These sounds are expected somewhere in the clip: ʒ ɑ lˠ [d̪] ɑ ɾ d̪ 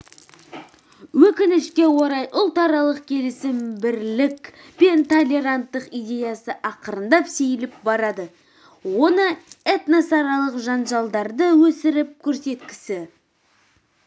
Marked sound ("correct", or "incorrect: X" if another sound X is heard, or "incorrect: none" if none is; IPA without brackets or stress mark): correct